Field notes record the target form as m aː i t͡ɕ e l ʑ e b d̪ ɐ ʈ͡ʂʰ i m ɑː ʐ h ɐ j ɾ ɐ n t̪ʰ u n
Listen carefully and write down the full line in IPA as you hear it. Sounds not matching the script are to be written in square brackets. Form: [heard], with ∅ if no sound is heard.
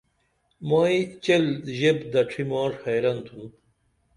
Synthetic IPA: m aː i t͡ɕ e l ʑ e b d̪ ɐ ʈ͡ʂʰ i m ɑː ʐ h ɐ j ɾ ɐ n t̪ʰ u n

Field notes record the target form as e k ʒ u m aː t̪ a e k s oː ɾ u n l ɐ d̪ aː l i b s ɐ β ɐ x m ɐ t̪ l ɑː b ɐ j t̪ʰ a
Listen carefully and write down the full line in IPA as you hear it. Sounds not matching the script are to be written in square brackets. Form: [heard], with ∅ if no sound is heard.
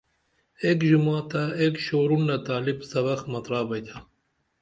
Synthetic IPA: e k ʒ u m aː t̪ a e k [ʃ] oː ɾ u n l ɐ [t̪] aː l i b s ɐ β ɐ x m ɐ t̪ [ɾ] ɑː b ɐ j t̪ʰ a

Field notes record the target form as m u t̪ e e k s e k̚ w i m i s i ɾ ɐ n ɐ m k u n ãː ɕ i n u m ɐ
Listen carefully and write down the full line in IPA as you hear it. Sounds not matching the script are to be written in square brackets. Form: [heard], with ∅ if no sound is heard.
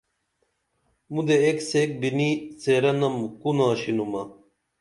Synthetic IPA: m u [d̪] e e k s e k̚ [b] i [n] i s [e] ɾ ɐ n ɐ m k u n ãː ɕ i n u m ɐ

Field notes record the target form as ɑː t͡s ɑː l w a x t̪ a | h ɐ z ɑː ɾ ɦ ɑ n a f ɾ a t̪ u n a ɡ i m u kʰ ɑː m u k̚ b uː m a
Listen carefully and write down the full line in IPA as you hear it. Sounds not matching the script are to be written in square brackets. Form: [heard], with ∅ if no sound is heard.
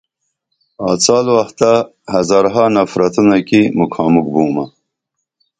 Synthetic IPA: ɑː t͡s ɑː l w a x t̪ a | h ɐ z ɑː ɾ ɦ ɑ n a f ɾ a t̪ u n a [k] i m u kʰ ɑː m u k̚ b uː m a

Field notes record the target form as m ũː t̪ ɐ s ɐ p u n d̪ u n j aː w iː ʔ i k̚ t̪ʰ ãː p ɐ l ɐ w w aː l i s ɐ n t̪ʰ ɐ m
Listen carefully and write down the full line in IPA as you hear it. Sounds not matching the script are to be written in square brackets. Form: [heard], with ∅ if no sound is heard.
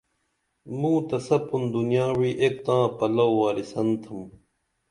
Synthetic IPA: m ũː t̪ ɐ s ɐ p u n d̪ u n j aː w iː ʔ [e] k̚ [t̪] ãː p ɐ l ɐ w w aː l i s ɐ n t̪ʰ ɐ m

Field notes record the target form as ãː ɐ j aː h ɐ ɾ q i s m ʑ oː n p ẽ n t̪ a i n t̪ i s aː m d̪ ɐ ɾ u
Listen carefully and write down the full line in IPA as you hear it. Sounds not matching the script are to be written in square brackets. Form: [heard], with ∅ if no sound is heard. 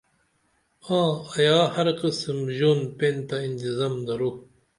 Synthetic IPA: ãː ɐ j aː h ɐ ɾ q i s m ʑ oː n p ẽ n t̪ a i n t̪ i [z] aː m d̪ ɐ ɾ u

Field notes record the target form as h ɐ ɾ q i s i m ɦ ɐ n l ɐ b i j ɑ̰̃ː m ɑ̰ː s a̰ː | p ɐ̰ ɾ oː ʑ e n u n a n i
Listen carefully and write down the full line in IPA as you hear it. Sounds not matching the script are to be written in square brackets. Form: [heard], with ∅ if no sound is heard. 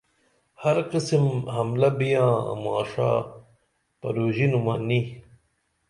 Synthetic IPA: h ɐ ɾ q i s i m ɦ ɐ [m] l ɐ b i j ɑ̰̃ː m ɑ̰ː [ʂ] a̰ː | p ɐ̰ ɾ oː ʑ [i] n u [m] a n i

